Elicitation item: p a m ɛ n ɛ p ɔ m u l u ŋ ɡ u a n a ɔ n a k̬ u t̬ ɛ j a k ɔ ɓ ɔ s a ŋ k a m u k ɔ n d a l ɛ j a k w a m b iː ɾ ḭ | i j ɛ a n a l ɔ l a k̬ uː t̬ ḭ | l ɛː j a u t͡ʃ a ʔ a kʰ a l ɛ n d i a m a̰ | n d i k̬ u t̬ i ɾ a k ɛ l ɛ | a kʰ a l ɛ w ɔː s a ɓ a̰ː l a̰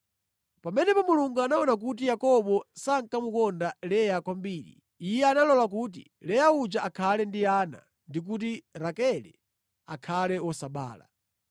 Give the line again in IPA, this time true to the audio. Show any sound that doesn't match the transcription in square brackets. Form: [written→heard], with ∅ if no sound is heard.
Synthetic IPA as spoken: p a m ɛ n ɛ p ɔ m u l u ŋ ɡ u a n a ɔ n a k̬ u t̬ [ɛ→i] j a k ɔ ɓ ɔ s a ŋ k a m u k ɔ n d a l ɛ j a k w a m b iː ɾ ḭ | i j ɛ a n a l ɔ l a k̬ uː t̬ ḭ | l [ɛː→ɛ] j a u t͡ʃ a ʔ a kʰ a l ɛ n d i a [m→n] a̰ | n d i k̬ u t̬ i ɾ a k ɛ l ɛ | a kʰ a l ɛ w [ɔː→ɔ] s a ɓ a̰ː l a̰